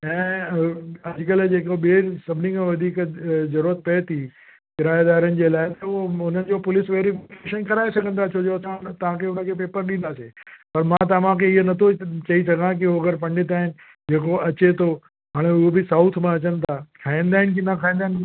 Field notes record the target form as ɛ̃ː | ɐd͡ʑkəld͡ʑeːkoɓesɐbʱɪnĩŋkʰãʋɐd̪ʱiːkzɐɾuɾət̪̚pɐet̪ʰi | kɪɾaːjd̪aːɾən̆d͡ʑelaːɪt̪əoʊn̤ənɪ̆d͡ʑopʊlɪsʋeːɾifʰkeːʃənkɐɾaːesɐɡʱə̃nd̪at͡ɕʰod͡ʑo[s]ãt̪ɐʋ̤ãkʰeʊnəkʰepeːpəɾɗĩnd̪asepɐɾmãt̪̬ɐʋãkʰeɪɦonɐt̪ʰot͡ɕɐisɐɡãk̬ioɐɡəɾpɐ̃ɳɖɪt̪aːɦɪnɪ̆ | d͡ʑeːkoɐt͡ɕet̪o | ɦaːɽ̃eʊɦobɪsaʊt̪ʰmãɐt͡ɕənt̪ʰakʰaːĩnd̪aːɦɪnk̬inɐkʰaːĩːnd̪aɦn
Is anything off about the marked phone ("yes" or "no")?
no